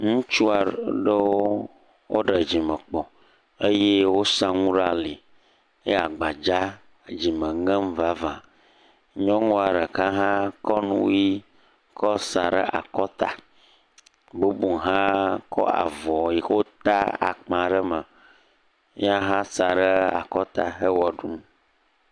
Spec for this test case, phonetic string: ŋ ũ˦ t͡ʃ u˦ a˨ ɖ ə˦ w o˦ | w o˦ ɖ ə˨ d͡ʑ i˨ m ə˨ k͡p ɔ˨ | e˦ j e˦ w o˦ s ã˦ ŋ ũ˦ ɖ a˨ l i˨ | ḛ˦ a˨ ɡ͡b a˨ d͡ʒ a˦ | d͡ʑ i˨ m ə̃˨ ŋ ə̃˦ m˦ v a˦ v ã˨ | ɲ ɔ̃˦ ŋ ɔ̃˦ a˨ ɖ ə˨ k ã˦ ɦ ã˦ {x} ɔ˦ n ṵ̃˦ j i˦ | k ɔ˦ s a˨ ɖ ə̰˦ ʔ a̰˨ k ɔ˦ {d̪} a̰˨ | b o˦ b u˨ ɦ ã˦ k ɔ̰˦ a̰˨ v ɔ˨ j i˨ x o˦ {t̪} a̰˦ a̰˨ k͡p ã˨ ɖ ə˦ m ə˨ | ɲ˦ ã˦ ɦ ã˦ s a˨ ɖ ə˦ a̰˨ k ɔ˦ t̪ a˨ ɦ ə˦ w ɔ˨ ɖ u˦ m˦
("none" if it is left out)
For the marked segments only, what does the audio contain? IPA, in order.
k, t̪, t̪

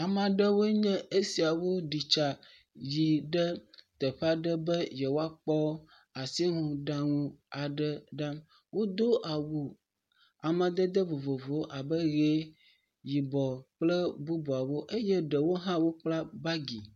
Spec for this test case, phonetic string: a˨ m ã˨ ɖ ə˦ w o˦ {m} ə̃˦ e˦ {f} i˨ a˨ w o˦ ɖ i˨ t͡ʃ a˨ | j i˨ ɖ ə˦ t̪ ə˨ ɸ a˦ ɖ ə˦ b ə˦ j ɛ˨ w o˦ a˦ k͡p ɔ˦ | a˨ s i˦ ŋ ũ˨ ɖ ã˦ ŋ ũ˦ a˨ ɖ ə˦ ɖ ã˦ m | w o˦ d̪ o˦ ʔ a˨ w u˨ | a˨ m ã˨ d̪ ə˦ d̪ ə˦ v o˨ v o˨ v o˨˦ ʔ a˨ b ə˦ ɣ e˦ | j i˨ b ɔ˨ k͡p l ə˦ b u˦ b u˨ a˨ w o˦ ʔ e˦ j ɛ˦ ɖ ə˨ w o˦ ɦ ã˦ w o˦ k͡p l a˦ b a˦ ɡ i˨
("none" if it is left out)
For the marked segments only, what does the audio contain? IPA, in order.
ɲ, s

